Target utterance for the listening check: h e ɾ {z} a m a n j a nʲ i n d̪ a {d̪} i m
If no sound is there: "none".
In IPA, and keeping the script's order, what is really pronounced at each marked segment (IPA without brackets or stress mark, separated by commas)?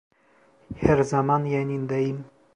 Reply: z, none